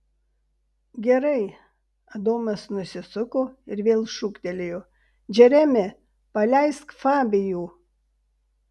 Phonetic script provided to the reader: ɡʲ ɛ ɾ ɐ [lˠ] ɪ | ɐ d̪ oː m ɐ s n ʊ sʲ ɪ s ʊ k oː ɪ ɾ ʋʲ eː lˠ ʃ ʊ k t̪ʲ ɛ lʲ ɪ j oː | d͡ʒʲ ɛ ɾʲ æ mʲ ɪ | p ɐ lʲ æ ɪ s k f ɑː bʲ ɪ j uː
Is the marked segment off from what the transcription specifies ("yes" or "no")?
yes